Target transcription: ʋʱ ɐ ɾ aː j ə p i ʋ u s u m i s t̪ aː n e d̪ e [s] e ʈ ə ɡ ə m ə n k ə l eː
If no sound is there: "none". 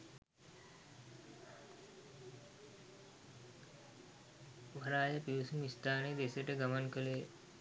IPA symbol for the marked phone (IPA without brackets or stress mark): s